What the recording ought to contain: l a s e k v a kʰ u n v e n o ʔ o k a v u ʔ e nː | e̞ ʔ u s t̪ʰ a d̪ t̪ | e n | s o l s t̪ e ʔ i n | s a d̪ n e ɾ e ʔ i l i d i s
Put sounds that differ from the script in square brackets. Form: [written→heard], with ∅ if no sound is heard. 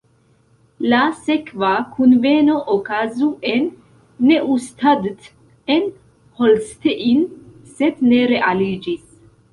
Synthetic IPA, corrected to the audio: l a s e k v a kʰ u n v e n o ʔ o k a [v→z] u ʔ e nː | e̞ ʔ u s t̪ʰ a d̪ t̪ | e n | [s→h] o l s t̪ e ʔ i n | s [a→e] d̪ n e ɾ e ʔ [i→a] l i [d→d͡ʒ] i s